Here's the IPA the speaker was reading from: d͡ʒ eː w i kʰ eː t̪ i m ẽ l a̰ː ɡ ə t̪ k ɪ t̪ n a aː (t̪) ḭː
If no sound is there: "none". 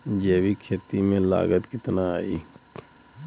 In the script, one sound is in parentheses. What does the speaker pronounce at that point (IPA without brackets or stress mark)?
none